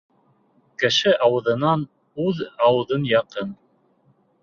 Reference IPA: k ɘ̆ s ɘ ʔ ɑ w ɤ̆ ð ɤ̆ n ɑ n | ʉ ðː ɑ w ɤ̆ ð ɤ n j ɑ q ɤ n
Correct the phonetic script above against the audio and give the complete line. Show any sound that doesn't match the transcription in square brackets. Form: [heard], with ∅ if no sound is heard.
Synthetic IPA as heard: k ɘ̆ [ʃ] ɘ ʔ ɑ w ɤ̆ ð ɤ̆ n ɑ n | ʉ [ð] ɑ w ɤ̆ ð ɤ n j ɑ q ɤ n